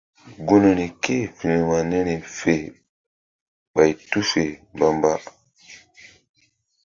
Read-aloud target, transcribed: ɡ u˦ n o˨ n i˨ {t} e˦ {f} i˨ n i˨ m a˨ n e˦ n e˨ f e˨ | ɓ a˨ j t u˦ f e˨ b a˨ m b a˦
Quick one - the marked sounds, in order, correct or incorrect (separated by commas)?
incorrect, correct